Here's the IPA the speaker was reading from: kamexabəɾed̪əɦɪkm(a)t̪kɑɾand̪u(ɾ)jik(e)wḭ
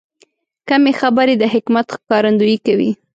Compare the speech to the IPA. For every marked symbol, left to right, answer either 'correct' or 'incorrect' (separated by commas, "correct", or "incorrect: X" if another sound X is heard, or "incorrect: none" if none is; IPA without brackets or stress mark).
correct, incorrect: none, incorrect: a